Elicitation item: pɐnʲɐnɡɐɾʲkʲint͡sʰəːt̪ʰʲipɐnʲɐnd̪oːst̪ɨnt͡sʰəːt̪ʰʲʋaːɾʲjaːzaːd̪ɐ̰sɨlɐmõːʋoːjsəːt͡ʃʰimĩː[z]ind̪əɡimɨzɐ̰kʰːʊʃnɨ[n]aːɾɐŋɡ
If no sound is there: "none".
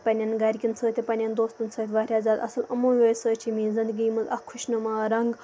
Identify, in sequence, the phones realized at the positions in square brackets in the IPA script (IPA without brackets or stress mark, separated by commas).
z, m